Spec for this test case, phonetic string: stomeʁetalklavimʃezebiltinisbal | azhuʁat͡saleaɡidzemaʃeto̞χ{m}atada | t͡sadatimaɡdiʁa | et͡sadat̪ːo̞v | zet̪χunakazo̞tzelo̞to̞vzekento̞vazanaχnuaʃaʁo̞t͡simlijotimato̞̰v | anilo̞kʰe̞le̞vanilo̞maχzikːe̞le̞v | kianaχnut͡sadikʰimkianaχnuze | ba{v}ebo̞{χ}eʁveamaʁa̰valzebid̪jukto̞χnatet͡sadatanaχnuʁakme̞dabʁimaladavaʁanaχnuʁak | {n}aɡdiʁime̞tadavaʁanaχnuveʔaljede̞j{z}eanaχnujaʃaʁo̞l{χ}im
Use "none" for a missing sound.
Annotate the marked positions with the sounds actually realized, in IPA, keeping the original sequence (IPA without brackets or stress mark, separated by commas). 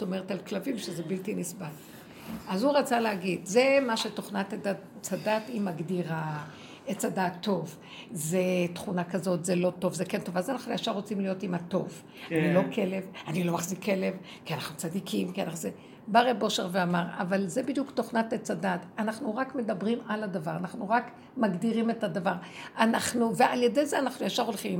n, ʁ, ʃ, m, z, χ